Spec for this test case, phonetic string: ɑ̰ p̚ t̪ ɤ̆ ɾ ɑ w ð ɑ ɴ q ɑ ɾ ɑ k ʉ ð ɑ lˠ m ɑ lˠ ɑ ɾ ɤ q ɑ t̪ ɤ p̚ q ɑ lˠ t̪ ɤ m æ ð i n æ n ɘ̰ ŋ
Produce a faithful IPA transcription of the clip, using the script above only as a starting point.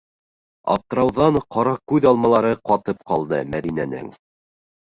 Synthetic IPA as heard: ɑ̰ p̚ t̪ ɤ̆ ɾ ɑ w ð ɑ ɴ q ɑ ɾ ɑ k ʉ ð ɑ lˠ m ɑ lˠ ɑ ɾ ɤ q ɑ t̪ ɤ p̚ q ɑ lˠ d̪ ɤ m æ ð i n æ n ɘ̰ ŋ